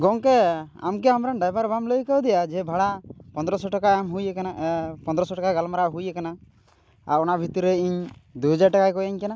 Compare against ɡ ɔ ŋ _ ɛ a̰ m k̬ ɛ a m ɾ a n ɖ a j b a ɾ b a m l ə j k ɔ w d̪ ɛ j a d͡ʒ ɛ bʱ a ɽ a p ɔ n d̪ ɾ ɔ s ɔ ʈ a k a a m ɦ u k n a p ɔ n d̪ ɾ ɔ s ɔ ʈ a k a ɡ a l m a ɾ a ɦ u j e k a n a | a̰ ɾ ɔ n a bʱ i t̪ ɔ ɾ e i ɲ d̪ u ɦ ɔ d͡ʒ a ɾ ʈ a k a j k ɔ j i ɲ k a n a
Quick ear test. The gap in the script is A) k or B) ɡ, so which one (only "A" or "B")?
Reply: A